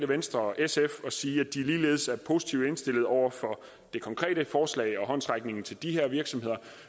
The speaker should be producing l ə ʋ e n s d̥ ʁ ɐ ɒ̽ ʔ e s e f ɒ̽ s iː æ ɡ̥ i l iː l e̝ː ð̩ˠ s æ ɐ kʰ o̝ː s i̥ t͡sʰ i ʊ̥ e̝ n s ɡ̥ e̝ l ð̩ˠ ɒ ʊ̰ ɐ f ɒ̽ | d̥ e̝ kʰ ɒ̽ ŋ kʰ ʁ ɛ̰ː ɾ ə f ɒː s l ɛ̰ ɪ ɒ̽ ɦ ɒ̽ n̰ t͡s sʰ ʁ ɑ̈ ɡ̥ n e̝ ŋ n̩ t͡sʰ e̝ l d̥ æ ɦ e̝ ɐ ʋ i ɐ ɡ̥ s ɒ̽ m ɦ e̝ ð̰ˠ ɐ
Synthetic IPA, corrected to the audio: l ə ʋ e n s d̥ ʁ ɐ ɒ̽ ʔ e s e f ɒ̽ s iː æ d̥ i l iː l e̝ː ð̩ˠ s æ ɐ pʰ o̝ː s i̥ t͡sʰ i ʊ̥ e̝ n s d̥ e̝ l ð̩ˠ ɒ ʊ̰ ɐ f ɒ̽ | d̥ e̝ kʰ ɒ̽ ŋ kʰ ʁ ɛ̰ː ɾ ə f ɒː s l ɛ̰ ɪ ɒ̽ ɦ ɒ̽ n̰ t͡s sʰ ʁ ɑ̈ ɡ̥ n e̝ ŋ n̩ t͡sʰ e̝ l d̥ i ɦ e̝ ɐ ʋ i ɐ ɡ̥ s ɒ̽ m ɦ e̝ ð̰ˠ ɐ